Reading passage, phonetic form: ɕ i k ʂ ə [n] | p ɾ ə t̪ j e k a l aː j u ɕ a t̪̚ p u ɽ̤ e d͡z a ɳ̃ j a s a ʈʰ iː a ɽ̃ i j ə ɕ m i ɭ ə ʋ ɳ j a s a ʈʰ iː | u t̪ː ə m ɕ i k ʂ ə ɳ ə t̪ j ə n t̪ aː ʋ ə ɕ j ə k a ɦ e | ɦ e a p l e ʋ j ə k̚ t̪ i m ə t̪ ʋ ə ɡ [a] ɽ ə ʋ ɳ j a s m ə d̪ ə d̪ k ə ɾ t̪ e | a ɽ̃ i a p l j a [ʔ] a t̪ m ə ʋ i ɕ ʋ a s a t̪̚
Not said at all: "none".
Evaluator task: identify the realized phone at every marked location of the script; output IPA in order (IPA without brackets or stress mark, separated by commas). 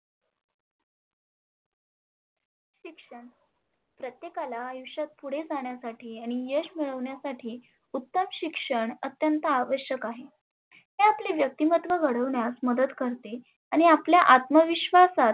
ɳ, ə, ʔ